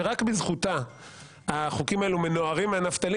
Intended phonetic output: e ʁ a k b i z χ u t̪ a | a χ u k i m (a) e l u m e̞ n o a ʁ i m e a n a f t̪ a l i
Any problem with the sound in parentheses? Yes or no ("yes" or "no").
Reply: no